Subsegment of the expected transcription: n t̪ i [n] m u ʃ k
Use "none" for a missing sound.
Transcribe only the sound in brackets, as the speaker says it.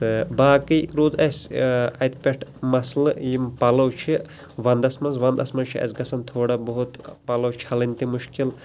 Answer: none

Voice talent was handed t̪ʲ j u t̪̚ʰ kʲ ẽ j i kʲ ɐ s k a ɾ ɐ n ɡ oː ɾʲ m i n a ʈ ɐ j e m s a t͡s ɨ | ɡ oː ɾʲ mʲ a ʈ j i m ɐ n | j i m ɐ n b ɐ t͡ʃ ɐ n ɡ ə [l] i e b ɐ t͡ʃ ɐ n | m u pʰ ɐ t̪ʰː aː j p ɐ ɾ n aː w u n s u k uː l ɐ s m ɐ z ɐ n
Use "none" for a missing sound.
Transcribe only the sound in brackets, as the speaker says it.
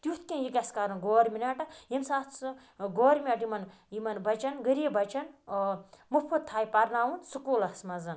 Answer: ɾ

